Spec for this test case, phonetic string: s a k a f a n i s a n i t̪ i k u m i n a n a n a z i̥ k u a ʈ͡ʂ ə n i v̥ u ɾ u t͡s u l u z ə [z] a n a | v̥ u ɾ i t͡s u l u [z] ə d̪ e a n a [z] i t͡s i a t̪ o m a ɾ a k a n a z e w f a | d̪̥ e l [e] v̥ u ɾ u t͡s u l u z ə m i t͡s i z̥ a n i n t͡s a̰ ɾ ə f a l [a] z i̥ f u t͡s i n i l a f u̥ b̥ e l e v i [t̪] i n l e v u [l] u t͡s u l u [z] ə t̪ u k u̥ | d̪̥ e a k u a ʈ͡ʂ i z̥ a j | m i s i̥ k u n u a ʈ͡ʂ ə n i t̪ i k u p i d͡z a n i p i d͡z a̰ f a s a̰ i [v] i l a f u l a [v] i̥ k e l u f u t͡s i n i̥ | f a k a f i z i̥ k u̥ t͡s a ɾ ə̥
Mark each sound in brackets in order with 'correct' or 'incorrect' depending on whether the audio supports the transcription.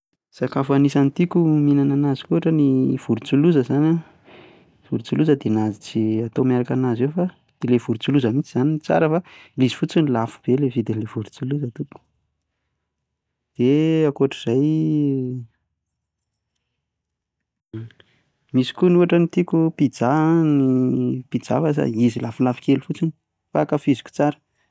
correct, correct, correct, correct, incorrect: i, incorrect: d̪, incorrect: ɾ, correct, incorrect: z, incorrect: f

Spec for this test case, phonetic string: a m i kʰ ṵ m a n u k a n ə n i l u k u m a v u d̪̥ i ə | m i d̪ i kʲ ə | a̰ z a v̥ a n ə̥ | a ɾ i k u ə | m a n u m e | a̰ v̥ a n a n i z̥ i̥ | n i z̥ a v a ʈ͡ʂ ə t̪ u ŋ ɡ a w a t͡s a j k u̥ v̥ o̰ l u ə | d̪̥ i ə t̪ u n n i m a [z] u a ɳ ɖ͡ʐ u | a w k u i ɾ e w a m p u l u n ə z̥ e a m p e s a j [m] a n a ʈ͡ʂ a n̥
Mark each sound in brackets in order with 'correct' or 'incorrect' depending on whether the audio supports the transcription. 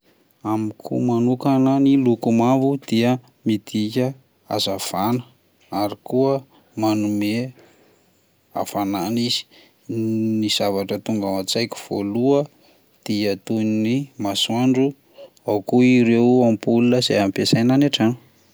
incorrect: s, incorrect: n

